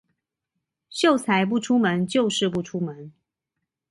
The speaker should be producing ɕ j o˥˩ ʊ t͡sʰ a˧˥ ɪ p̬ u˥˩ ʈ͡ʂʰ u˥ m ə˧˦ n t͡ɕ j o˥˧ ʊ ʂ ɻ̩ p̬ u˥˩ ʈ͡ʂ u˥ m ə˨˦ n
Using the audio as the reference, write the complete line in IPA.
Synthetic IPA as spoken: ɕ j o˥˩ ʊ t͡sʰ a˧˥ ɪ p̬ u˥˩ ʈ͡ʂʰ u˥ m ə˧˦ n t͡ɕ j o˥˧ ʊ ʂ ɻ̩ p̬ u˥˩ ʈ͡ʂʰ u˥ m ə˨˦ n